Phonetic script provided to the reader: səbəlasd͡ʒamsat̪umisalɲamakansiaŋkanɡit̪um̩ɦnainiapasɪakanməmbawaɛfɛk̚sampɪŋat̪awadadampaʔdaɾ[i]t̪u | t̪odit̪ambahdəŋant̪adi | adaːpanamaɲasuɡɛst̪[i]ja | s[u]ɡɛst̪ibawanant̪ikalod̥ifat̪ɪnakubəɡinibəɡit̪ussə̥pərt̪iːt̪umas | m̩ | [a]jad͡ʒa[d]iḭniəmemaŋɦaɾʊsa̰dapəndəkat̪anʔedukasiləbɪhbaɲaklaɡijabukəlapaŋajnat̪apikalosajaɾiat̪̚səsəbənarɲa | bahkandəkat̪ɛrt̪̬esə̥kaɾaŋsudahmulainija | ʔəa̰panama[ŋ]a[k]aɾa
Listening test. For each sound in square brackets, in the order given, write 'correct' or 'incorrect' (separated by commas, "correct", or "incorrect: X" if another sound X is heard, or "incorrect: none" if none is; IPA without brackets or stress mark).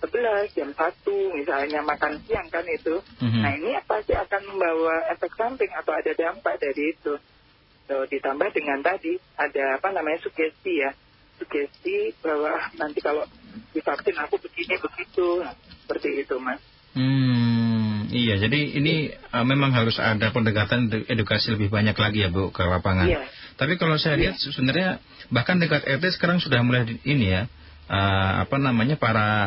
incorrect: iː, correct, correct, incorrect: i, correct, incorrect: ɲ, incorrect: p